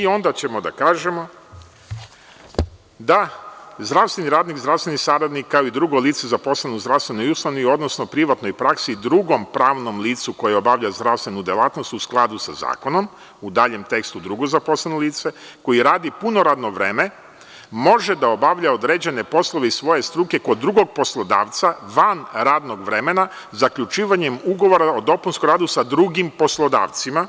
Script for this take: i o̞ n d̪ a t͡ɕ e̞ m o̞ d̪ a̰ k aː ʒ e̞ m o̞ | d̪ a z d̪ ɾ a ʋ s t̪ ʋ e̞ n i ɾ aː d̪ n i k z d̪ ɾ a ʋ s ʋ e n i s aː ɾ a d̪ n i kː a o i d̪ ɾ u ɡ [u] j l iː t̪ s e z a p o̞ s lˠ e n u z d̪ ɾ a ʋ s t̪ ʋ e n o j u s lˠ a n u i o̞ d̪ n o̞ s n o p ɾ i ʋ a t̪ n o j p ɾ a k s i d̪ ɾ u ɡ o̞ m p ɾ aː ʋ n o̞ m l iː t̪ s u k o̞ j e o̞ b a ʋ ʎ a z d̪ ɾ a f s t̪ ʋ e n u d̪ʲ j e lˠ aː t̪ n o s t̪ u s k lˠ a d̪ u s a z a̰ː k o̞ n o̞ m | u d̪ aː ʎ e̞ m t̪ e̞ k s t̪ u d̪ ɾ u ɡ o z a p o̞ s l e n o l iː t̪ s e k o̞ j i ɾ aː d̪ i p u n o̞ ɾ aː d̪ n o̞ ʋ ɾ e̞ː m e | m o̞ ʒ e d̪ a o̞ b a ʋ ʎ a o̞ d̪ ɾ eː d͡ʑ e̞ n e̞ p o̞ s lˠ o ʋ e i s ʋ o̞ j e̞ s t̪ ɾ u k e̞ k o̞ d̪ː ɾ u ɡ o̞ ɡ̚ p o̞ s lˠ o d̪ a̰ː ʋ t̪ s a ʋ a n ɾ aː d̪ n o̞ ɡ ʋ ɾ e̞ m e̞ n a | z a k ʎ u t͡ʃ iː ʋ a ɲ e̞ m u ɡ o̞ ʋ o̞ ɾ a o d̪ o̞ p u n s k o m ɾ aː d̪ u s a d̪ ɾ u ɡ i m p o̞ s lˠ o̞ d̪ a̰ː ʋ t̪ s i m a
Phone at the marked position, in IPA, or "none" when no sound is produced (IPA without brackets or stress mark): o